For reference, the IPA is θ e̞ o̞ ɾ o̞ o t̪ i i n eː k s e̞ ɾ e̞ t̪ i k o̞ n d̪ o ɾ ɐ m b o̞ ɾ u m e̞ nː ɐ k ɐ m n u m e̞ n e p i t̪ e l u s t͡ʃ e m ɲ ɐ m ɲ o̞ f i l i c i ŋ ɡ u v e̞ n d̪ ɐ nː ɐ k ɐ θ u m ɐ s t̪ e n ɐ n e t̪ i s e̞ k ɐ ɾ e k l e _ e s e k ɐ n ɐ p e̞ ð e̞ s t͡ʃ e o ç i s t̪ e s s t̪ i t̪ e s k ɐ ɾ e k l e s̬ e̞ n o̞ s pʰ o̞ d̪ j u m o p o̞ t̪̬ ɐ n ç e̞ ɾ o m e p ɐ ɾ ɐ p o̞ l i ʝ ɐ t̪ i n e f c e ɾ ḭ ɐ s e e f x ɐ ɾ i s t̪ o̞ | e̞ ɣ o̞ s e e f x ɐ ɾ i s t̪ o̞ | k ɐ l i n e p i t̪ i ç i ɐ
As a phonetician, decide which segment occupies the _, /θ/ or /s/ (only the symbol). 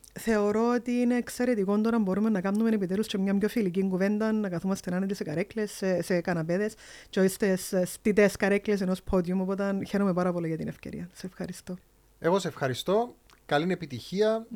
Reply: s